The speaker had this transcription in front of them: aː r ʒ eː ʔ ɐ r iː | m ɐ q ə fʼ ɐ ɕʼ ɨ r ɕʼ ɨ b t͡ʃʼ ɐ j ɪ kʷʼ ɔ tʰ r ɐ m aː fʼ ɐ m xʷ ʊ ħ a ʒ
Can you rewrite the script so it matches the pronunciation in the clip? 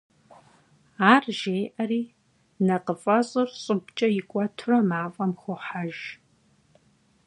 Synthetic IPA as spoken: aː r ʒ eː ʔ ɐ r iː | n ɐ q ə fʼ ɐ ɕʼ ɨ r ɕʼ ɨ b t͡ʃʼ ɐ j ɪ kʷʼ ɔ tʰ r ɐ m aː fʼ ɐ m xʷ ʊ ħ a ʒ

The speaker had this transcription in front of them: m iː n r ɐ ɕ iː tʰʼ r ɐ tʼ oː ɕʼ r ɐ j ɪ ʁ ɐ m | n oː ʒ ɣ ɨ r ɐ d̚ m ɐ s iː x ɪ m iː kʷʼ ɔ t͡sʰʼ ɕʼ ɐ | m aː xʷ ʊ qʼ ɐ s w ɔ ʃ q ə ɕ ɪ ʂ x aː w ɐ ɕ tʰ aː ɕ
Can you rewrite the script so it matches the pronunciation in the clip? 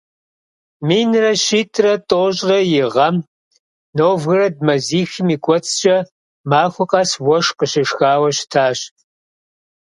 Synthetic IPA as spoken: m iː n r ɐ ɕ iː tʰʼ r ɐ tʼ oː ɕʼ r ɐ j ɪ ʁ ɐ m | n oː v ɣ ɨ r ɐ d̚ m ɐ z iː x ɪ m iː kʷʼ ɔ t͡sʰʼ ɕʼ ɐ | m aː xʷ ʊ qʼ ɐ s w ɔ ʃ q ə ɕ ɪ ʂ x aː w ɐ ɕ tʰ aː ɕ

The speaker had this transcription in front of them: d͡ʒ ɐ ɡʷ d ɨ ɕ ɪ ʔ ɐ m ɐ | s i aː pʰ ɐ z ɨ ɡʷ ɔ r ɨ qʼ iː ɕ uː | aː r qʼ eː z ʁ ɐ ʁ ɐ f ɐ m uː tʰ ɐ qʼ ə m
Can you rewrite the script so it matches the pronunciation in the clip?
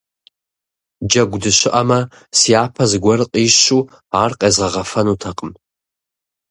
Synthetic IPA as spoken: d͡ʒ ɐ ɡʷ d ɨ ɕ ɪ ʔ ɐ m ɐ | s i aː pʰ ɐ z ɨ ɡʷ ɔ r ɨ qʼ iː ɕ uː | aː r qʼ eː z ʁ ɐ ʁ ɐ f ɐ n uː tʰ ɐ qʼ ə m

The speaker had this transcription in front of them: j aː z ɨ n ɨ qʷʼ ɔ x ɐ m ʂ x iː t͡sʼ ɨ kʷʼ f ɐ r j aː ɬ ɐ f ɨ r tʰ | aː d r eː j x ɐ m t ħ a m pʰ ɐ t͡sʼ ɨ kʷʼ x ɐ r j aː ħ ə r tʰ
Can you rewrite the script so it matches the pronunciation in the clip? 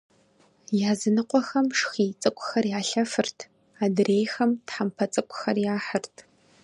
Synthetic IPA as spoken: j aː z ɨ n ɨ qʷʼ ɔ x ɐ m ʂ x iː t͡sʼ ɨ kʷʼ x ɐ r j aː ɬ ɐ f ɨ r tʰ | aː d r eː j x ɐ m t ħ a m pʰ ɐ t͡sʼ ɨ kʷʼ x ɐ r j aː ħ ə r tʰ

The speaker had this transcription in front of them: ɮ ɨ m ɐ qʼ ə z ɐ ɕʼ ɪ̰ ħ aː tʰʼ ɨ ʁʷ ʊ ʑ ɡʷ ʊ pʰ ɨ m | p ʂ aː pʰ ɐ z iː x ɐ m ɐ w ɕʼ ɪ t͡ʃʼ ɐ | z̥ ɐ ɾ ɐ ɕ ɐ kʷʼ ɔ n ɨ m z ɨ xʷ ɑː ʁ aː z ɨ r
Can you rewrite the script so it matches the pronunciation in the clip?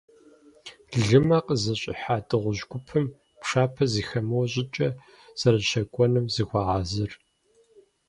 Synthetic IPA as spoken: ɮ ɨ m ɐ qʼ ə z ɐ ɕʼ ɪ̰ ħ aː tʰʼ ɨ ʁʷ ʊ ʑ ɡʷ ʊ pʰ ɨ m | p ʂ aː pʰ ɐ z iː x ɐ m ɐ w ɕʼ ɪ t͡ʃʼ ɐ | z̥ ɐ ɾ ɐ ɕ ɐ kʷʼ ɔ n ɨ m z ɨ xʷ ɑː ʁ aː z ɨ r

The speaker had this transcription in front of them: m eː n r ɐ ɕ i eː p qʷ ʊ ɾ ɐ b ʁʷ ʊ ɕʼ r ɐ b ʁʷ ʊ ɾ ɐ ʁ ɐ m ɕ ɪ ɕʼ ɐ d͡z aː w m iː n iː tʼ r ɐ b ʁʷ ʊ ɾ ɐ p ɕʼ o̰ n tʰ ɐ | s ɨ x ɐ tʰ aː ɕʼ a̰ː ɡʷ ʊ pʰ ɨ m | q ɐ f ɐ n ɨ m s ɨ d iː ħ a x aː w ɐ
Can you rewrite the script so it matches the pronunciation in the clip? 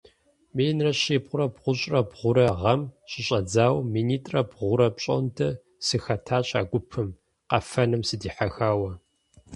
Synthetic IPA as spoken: m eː n r ɐ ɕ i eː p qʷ ʊ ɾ ɐ b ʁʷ ʊ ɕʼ r ɐ b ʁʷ ʊ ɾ ɐ ʁ ɐ m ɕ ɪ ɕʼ ɐ d͡z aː w m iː n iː tʼ r ɐ b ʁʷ ʊ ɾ ɐ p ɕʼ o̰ n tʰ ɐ | s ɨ x ɐ tʰ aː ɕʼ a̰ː ɡʷ ʊ pʰ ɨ m | q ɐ f ɐ n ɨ m s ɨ d iː ħ a x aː w ɐ

